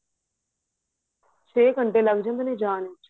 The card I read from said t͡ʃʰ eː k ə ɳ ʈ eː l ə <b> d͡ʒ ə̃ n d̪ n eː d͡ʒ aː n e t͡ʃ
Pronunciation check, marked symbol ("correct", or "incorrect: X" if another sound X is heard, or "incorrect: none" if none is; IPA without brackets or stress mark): incorrect: ɡ